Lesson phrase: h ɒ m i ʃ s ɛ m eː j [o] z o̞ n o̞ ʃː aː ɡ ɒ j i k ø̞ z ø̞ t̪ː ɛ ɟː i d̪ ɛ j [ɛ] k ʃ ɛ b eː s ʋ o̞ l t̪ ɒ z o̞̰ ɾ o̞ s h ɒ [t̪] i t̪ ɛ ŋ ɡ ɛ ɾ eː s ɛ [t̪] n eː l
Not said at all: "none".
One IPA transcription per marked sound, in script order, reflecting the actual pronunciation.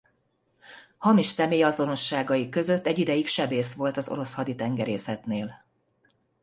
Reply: ɒ, i, d̪, t̪

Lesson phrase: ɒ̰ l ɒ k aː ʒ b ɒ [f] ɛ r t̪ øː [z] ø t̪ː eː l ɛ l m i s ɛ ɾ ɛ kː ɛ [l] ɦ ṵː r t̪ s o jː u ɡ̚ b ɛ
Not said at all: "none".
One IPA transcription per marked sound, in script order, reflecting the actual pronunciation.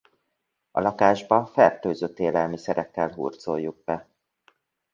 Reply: f, z, l

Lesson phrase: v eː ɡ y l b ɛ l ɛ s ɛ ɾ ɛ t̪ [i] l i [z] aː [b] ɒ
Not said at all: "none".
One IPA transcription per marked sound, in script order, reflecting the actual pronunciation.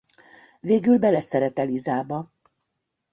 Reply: ɛ, z, b

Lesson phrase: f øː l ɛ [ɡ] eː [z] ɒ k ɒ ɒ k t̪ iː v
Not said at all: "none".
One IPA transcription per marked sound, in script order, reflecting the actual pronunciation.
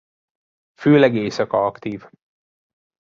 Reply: ɡ, s

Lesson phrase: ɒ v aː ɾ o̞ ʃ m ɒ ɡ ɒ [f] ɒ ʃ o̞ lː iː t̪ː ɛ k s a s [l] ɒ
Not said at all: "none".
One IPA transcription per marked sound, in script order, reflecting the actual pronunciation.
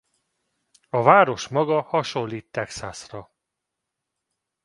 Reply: h, r

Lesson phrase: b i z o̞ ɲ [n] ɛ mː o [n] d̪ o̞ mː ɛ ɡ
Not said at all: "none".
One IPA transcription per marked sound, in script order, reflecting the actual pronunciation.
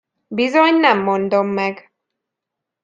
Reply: n, n

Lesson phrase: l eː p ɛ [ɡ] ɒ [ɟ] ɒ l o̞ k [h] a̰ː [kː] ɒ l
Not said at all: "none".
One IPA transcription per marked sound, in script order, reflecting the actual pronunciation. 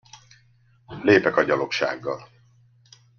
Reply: k, ɟ, ʃ, ɡː

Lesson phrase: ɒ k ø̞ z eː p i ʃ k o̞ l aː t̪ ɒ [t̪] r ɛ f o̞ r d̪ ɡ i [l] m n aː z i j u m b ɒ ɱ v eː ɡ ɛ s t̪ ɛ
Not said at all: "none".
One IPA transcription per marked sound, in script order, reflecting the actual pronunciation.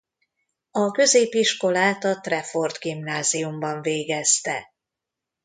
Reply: t̪, none

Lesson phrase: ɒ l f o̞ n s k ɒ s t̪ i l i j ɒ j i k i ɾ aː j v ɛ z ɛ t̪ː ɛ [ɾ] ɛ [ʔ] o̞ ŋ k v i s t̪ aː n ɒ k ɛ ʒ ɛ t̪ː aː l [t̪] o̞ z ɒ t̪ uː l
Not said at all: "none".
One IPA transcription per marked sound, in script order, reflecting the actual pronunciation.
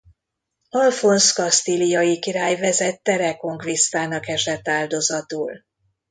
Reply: ɾ, k, d̪

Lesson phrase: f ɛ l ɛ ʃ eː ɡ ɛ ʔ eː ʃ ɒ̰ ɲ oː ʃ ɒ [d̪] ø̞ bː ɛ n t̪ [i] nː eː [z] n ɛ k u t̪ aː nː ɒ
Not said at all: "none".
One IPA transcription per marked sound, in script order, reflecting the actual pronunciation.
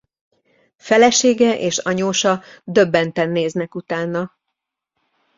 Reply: d̪, ɛ, z

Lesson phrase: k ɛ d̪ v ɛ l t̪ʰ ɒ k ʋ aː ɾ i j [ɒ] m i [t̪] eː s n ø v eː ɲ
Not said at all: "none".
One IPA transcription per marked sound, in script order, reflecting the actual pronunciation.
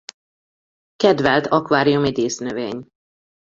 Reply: u, d̪

